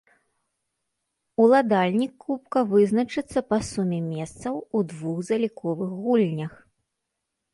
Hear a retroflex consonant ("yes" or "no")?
yes